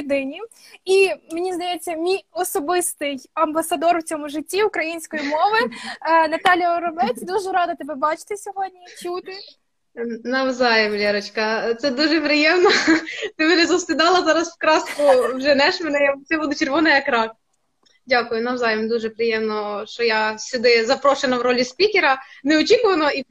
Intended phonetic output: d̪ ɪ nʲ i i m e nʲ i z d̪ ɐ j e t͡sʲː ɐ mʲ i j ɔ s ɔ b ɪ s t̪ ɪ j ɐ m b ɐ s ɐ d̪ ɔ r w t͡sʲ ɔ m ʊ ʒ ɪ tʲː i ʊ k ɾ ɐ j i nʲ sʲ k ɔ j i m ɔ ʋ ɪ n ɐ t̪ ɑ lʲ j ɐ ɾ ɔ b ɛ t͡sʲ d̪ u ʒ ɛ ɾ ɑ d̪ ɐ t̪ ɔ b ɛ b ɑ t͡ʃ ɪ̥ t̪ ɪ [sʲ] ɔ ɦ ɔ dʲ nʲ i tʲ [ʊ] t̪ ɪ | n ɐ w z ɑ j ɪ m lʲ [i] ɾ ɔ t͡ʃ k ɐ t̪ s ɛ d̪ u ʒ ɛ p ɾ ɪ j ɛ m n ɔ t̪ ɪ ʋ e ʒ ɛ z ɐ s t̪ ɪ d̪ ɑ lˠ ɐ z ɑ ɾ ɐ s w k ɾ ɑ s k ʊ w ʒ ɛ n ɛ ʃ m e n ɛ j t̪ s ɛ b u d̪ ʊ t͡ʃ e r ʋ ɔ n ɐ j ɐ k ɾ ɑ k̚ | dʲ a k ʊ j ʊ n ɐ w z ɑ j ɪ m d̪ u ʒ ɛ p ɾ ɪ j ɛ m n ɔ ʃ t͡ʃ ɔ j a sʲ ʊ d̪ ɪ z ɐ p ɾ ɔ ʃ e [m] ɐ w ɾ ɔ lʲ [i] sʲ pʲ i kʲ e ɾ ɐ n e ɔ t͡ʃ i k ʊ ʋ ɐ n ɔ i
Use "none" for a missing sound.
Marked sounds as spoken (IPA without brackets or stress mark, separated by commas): sʲ, u, ɛ, n, i